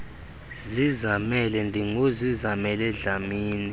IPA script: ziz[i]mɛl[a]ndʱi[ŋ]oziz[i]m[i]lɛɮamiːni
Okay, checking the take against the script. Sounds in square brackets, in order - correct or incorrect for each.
incorrect: a, incorrect: ɛ, correct, incorrect: a, incorrect: ɛ

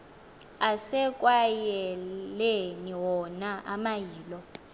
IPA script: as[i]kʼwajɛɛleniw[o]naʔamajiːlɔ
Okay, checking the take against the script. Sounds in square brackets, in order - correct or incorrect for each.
incorrect: ɛ, incorrect: ɔ

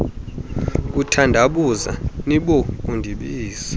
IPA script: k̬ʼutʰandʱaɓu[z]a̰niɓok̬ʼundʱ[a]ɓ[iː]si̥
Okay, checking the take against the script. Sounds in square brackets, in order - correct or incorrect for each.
correct, incorrect: i, correct

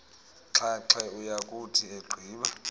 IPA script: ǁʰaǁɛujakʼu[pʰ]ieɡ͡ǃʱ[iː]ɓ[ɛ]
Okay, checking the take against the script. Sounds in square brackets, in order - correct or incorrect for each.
incorrect: tʰ, correct, incorrect: a

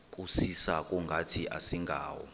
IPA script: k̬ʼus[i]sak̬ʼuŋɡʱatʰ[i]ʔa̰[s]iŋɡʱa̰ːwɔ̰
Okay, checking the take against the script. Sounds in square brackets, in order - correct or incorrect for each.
correct, correct, correct

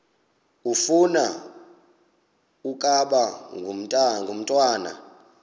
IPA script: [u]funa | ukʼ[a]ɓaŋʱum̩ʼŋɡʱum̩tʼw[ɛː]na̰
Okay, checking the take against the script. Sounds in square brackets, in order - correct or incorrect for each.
correct, correct, incorrect: aː

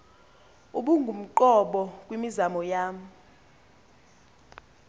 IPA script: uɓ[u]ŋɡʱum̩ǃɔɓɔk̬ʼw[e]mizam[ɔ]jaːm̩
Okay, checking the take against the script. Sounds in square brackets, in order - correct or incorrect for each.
correct, incorrect: i, correct

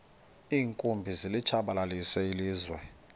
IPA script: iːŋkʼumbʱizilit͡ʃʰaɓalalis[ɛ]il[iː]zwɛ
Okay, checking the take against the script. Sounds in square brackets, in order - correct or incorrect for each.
correct, correct

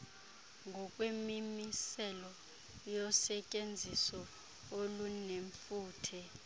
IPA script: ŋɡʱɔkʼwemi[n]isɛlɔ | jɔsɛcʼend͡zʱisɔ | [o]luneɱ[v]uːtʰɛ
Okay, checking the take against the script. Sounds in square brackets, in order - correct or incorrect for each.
incorrect: m, correct, incorrect: f

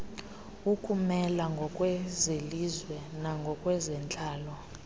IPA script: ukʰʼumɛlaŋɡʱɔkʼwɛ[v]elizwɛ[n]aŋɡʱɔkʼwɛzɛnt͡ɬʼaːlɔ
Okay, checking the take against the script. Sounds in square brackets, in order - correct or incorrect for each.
incorrect: z, correct

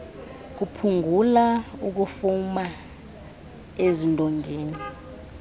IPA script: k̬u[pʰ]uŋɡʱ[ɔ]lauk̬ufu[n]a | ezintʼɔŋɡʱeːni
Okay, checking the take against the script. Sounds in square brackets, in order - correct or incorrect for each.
correct, incorrect: u, incorrect: m

